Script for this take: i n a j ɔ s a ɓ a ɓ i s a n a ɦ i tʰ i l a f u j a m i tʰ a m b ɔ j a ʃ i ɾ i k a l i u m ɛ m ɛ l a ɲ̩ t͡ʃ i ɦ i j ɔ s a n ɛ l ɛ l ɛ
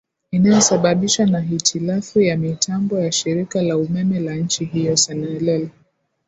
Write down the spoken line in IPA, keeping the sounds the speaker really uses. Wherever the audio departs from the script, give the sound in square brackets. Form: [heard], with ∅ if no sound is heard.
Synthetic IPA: i n a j ɔ s a ɓ a ɓ i [ʃ] a n a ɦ i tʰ i l a f u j a m i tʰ a m b ɔ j a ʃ i ɾ i k a l [a] u m ɛ m ɛ l a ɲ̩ t͡ʃ i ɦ i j ɔ s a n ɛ l ɛ l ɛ